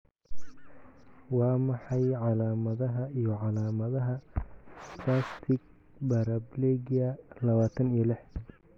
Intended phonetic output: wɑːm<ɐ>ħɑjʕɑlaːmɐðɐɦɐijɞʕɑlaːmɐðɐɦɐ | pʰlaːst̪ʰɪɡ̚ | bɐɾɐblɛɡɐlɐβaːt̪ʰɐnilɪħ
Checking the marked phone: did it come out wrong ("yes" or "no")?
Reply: yes